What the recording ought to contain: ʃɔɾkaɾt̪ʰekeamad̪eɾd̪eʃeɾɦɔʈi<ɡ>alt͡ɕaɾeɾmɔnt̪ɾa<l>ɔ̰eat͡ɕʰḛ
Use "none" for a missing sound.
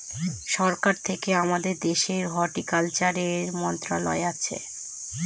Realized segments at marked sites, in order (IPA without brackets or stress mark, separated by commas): k, l